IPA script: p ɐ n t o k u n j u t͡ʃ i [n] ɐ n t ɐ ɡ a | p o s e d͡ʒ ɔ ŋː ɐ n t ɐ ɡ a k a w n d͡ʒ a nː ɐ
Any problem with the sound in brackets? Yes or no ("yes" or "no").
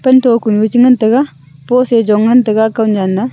yes